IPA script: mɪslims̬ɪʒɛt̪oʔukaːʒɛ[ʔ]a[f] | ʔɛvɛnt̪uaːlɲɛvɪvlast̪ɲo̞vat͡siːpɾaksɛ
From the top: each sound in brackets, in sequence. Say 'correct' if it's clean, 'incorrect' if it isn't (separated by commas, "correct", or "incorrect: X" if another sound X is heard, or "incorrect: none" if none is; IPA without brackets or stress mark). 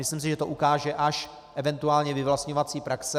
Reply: correct, incorrect: ʃ